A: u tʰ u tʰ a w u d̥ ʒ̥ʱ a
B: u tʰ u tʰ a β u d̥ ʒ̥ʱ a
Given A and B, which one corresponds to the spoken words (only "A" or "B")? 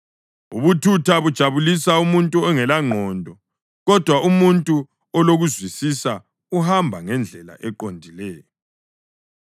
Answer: B